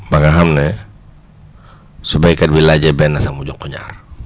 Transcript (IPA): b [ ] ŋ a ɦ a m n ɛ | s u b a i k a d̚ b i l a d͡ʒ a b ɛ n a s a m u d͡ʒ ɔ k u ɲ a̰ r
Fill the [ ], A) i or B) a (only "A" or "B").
B